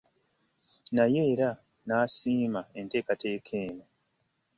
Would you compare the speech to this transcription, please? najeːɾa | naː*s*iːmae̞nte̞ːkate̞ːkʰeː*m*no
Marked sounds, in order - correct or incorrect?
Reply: correct, incorrect

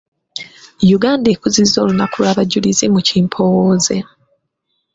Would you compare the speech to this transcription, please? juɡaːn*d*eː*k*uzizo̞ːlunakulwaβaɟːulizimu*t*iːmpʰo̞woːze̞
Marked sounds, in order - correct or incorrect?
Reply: correct, correct, incorrect

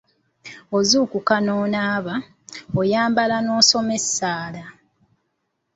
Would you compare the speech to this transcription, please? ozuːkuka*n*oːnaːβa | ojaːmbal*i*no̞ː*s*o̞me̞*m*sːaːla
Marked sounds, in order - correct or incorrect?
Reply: correct, incorrect, correct, incorrect

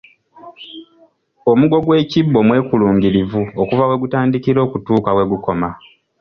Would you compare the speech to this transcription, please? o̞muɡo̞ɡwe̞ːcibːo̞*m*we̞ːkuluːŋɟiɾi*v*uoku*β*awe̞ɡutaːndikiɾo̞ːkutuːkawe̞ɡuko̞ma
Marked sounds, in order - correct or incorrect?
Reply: correct, correct, incorrect

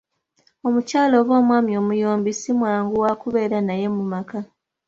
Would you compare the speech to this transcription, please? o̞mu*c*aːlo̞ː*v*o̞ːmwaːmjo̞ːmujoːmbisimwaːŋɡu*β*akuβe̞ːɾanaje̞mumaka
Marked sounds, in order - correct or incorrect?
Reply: correct, incorrect, incorrect

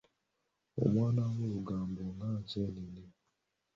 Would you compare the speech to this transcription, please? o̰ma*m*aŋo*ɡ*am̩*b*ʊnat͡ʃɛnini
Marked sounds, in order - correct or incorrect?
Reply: incorrect, correct, correct

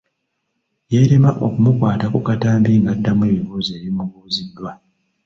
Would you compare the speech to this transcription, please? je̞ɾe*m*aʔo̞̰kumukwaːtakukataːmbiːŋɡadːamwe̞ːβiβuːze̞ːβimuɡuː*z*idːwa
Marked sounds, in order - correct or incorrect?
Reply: correct, correct

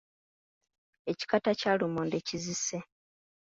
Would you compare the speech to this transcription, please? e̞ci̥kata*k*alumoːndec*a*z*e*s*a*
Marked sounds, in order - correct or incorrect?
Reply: incorrect, incorrect, incorrect, incorrect

